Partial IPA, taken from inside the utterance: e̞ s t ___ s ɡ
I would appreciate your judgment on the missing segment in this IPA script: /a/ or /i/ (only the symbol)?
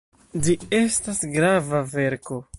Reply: a